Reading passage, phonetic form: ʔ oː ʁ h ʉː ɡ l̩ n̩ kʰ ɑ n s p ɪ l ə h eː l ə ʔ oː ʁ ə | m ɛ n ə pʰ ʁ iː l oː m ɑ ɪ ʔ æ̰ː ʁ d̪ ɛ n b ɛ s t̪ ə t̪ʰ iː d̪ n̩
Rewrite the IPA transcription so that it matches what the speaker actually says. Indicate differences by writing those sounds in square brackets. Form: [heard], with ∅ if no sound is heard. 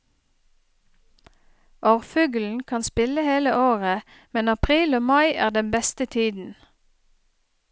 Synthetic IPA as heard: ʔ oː ʁ [f] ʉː ɡ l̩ n̩ kʰ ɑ n s p ɪ l ə h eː l ə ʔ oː ʁ ə | m ɛ n [ɑ] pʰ ʁ iː l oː m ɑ ɪ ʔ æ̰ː ʁ d̪ ɛ n b ɛ s t̪ ə t̪ʰ iː d̪ n̩